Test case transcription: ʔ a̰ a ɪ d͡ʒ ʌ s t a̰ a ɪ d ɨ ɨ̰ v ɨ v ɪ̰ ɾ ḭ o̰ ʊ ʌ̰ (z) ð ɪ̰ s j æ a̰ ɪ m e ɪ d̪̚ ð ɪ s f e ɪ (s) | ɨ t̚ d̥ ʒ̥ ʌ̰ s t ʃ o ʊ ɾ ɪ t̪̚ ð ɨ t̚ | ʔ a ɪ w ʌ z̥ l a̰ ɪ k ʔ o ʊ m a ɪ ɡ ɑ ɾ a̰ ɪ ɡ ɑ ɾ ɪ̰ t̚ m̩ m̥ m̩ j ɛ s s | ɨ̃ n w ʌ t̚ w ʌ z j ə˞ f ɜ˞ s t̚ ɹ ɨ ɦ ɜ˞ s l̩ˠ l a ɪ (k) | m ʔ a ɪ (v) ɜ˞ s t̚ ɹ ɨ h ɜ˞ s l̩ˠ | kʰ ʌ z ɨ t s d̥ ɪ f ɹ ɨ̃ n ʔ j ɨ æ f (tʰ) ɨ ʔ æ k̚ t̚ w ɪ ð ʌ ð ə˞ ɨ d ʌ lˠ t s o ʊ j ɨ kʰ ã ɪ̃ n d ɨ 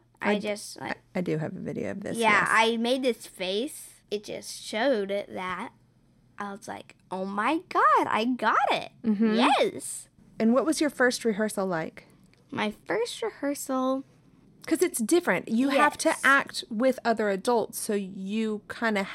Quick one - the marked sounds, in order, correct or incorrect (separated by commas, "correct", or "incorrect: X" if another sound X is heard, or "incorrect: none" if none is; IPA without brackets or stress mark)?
incorrect: v, correct, correct, incorrect: f, correct